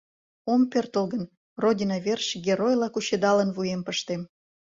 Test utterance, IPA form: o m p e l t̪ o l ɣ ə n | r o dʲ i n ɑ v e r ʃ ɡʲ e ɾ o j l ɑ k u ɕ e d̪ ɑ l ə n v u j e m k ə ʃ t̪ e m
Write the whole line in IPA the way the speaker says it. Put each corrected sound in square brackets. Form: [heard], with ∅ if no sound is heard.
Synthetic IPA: o m p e [r] t̪ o l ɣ ə n | r o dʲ i n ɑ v e r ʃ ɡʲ e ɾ o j l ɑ k u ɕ e d̪ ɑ l ə n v u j e m [p] ə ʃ t̪ e m